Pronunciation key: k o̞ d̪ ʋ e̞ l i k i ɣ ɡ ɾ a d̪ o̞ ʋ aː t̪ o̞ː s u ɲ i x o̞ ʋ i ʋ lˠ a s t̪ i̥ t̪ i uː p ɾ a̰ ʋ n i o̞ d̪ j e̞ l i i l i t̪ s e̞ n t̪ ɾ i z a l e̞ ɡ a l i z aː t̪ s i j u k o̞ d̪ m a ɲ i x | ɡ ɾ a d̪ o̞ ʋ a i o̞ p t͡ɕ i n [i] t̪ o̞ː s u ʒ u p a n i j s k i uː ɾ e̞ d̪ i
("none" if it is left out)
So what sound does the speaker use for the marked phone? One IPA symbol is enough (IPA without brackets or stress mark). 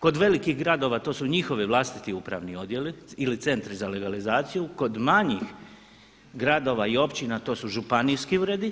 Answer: a